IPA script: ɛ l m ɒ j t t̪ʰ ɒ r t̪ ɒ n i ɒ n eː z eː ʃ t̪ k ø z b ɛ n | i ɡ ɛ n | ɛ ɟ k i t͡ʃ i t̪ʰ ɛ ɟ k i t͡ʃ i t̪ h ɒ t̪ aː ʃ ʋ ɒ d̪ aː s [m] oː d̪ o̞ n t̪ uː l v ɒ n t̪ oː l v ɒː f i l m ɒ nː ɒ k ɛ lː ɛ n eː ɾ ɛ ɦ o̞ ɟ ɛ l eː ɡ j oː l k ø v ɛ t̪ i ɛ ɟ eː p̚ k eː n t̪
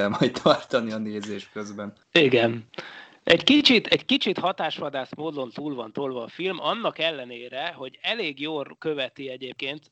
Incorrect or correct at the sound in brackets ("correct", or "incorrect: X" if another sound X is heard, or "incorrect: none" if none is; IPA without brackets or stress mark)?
correct